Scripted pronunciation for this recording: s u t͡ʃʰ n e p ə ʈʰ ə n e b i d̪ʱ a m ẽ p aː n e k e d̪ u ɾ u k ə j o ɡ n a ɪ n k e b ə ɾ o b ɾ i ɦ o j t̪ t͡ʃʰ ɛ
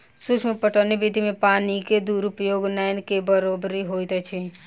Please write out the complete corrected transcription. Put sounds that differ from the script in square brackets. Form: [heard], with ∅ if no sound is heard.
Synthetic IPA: s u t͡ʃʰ [m] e p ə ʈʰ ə n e b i d̪ʱ [i] m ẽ p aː n [i] k e d̪ u ɾ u [p] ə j o ɡ n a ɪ n k e b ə ɾ o b ɾ i ɦ o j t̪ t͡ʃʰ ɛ